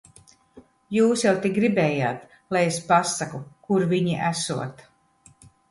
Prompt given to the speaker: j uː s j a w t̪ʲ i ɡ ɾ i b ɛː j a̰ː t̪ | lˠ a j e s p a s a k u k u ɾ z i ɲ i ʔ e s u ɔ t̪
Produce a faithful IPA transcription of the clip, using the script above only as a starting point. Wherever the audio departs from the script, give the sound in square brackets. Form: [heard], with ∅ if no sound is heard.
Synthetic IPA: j uː s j a w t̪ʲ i ɡ ɾ i b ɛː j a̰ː t̪ | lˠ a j e s p a s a k u k u ɾ [v] i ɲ i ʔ [æ] s u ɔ t̪